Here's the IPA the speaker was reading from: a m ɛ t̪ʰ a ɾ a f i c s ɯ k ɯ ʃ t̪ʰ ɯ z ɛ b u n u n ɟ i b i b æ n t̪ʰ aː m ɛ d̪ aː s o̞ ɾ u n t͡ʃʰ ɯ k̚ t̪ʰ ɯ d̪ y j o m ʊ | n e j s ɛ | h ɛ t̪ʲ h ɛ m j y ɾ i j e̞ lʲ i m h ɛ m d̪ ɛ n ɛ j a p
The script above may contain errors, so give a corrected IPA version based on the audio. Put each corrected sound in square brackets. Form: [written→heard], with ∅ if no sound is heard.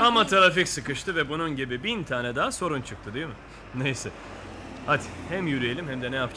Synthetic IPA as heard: a m [ɛ→a] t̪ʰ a ɾ a f i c s ɯ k ɯ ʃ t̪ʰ ɯ [z→v] ɛ b u n u n ɟ i b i b [æ→i] n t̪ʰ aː [m→n] ɛ d̪ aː s o̞ ɾ u n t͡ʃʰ ɯ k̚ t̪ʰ ɯ d̪ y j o m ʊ | n e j s ɛ | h [ɛ→a] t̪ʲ h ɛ m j y ɾ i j e̞ lʲ i m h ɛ m d̪ ɛ n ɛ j a p